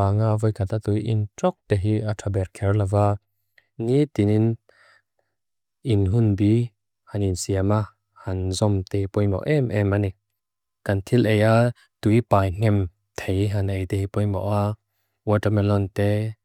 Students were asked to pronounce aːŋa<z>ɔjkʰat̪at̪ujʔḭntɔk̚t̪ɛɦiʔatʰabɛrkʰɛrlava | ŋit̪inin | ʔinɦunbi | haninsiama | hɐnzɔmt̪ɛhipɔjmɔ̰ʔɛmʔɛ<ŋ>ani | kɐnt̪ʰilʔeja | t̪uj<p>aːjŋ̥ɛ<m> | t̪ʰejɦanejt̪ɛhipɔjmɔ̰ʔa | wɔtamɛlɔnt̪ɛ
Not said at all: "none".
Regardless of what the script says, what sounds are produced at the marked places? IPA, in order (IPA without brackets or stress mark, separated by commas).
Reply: v, m, p, m